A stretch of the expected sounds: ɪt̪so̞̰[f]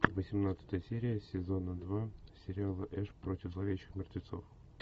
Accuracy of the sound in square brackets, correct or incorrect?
correct